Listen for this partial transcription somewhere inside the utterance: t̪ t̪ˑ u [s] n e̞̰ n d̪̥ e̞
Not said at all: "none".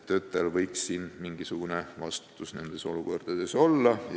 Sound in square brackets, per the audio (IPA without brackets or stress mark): s